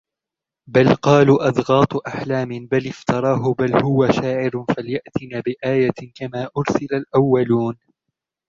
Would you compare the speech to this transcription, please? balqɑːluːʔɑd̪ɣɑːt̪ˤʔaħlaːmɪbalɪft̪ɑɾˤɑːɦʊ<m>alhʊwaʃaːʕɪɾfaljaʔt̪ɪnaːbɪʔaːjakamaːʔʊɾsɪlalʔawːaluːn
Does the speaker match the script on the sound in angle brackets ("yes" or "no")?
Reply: no